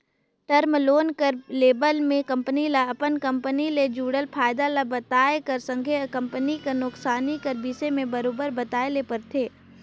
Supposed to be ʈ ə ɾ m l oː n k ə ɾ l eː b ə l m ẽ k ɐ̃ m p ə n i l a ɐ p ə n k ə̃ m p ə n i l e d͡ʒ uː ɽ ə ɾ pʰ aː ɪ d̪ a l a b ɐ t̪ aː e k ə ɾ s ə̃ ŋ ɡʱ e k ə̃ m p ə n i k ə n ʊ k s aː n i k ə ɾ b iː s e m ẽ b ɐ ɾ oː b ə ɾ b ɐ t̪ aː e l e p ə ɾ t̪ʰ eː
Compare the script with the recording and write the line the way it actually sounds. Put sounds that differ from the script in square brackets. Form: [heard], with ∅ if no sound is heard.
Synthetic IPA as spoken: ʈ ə ɾ m l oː n k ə ɾ l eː b ə l m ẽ k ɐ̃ m p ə n i l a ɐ p ə n k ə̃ m p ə n i l e d͡ʒ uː ɽ ə [l] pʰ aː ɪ d̪ a l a b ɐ t̪ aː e k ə ɾ s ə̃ ŋ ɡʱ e k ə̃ m p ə n i k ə n ʊ k s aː n i k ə ɾ b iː s e m ẽ b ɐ ɾ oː b ə ɾ b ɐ t̪ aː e l e p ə ɾ t̪ʰ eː